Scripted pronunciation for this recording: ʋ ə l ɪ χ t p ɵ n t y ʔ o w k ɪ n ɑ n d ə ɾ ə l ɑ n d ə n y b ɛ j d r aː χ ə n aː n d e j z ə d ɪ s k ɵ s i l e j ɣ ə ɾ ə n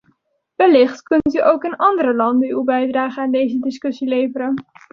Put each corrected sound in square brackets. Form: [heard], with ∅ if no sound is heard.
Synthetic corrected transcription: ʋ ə l ɪ χ t [k] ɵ n t y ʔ o w k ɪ n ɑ n d ə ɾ ə l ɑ n d ə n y b ɛ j d r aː χ ə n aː n d e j z ə d ɪ s k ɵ s i l e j [v] ə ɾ ə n